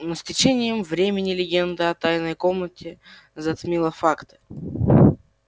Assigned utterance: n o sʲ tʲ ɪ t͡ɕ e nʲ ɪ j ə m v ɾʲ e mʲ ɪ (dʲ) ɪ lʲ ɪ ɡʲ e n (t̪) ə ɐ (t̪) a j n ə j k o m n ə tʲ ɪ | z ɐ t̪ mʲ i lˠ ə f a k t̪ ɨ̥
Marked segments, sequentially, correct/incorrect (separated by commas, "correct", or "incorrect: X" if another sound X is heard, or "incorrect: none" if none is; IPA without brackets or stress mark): incorrect: nʲ, incorrect: d̪, correct